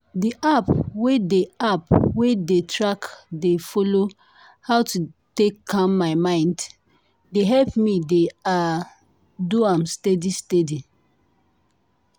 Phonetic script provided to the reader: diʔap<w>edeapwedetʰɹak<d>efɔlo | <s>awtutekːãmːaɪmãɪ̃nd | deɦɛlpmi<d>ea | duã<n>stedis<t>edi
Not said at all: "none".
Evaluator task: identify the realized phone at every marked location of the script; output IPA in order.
w, d, h, d, m, t

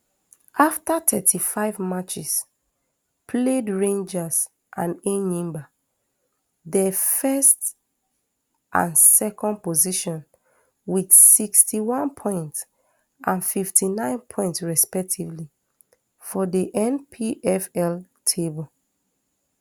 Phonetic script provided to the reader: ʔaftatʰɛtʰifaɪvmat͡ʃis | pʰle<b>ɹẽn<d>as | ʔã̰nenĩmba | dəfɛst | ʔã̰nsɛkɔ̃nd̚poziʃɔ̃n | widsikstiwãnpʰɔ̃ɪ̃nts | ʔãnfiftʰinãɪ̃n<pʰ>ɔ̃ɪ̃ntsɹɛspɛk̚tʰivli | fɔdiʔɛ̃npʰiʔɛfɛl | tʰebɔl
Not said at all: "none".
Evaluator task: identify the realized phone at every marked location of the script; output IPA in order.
d, d͡ʒ, pʰ

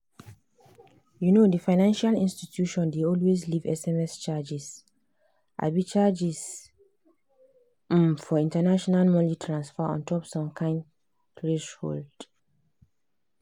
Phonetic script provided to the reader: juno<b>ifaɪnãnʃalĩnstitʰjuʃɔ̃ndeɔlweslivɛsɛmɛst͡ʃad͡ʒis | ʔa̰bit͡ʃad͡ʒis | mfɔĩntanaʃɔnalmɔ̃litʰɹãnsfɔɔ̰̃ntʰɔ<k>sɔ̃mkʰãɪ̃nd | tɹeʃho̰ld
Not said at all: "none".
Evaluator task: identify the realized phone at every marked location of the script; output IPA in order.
d, p

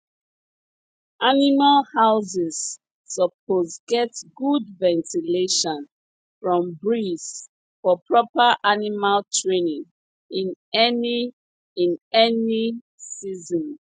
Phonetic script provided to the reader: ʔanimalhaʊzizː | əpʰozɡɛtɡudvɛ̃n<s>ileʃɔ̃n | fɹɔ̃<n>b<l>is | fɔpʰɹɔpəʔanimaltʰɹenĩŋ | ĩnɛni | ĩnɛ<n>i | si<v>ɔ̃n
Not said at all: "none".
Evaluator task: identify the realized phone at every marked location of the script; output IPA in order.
t, m, ɹ, n, z

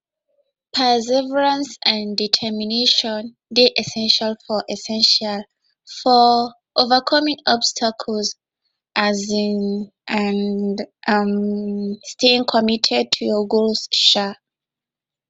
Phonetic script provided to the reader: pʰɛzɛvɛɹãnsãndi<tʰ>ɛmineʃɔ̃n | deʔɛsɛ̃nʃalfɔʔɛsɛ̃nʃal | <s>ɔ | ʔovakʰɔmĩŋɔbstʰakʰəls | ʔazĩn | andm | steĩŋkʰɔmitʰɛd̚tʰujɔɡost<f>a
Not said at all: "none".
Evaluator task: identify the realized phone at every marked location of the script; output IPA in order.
tʰ, f, ʃ

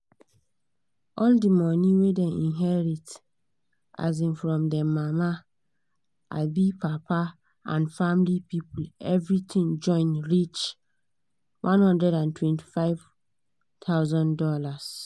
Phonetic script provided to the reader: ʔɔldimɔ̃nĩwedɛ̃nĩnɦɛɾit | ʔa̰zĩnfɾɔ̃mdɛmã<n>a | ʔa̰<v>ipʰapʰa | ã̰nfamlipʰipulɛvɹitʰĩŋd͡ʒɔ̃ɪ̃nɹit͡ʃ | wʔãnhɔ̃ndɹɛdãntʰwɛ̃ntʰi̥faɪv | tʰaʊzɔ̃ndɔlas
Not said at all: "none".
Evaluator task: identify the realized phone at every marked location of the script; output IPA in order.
m, b

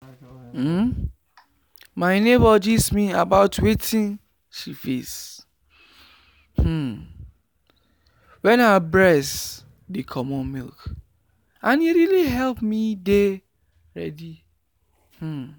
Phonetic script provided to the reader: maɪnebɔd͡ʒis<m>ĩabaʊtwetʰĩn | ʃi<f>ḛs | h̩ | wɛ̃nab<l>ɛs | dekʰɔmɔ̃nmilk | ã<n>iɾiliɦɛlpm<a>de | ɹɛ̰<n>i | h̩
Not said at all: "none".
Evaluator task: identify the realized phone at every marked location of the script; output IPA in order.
m, f, ɹ, n, i, d

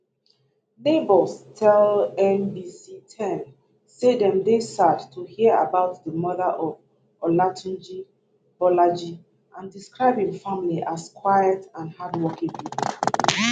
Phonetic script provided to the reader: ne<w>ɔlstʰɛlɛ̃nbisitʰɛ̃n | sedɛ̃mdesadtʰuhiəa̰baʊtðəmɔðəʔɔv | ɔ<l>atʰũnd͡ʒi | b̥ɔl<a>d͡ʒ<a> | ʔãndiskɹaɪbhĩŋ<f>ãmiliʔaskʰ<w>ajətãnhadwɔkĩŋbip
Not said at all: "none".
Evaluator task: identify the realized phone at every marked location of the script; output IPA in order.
b, l, a, i, f, w

